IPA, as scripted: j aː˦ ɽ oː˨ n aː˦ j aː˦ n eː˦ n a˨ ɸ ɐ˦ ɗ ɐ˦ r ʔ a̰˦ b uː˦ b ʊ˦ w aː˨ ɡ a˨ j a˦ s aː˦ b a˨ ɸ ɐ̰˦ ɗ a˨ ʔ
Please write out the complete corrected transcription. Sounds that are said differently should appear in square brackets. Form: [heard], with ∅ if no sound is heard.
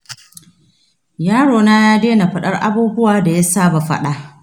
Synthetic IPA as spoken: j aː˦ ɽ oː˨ n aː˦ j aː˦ [d] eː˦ n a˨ ɸ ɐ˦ ɗ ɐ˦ r ʔ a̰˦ b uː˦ b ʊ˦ w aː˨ [d] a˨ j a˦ s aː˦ b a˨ ɸ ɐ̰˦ ɗ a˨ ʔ